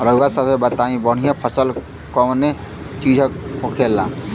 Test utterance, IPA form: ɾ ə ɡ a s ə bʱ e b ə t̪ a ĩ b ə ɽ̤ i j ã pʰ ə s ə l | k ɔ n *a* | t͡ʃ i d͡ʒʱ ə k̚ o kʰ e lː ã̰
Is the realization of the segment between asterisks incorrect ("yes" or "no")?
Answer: yes